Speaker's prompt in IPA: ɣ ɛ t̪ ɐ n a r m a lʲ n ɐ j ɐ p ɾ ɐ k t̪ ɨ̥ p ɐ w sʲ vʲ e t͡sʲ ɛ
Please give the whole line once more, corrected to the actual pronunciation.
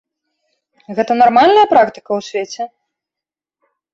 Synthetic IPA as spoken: ɣ ɛ t̪ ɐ n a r m a lʲ n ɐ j ɐ p ɾ a k t̪ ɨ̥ k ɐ w sʲ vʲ e t͡sʲ ɛ